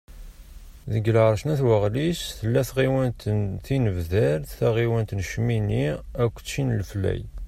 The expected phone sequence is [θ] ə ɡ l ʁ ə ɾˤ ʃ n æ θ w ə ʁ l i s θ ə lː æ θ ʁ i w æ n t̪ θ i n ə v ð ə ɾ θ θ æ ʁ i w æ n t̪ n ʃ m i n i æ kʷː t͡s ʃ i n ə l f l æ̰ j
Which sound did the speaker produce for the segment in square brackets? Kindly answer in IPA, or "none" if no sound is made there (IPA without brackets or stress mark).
ð